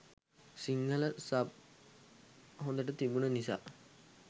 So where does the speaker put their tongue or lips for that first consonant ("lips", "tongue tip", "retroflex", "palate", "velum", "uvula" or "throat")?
tongue tip